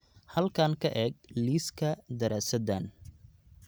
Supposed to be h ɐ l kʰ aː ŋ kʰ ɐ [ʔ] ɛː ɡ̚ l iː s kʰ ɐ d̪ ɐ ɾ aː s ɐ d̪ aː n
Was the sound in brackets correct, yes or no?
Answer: yes